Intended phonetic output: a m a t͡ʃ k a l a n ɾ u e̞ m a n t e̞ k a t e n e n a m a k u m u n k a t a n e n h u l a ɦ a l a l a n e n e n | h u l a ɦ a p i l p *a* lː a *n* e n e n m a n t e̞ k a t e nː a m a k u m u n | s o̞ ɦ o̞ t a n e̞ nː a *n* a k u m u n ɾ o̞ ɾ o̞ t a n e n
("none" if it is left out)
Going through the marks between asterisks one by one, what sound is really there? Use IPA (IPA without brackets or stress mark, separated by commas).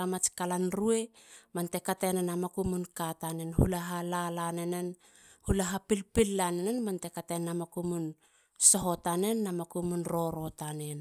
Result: i, n, m